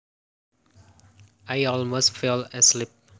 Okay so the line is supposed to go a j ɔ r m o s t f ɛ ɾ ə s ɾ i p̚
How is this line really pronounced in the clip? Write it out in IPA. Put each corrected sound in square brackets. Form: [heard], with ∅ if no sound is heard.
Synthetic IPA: a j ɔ [l] m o s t f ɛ [l] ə s [l] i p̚